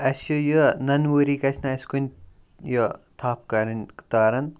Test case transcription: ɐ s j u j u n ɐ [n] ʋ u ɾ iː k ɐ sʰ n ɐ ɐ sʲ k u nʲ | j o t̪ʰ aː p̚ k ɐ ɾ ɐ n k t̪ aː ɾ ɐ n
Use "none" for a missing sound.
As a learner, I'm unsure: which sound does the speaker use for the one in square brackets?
n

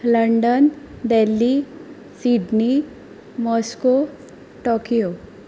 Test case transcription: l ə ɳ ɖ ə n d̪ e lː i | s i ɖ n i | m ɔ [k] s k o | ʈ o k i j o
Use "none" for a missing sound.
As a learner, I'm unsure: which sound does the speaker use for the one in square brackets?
none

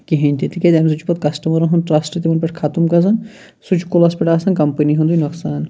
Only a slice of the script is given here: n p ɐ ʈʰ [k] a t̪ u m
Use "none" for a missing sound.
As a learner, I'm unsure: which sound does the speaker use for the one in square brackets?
kʰ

